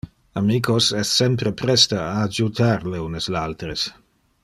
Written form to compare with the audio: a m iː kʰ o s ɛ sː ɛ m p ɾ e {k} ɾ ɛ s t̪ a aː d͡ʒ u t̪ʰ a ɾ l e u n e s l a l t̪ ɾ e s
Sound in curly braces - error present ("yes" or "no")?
yes